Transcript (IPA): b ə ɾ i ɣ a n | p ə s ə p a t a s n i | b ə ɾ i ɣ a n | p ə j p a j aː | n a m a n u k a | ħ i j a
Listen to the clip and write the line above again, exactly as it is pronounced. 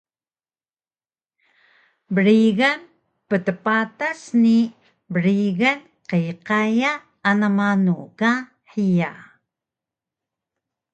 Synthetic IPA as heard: b ə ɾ i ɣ a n | p ə t ə p a t a s n i | b ə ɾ i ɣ a n | q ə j q a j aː | n a m a n u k a | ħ i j a